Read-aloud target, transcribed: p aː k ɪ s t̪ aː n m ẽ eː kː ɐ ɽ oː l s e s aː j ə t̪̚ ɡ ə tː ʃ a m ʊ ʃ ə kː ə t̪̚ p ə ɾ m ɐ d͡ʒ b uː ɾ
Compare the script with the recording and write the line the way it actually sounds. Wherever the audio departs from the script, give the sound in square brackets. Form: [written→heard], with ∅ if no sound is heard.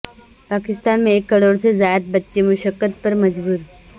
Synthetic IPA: p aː k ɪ s t̪ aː n m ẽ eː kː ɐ ɽ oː [l→ɽ] s e [s→z] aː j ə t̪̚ [ɡ→b] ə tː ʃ [a→e] m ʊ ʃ ə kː ə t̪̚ p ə ɾ m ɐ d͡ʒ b uː ɾ